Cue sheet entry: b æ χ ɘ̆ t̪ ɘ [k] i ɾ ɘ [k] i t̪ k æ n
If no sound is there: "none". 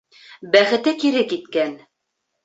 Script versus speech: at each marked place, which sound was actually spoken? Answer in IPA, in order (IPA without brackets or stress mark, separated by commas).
k, k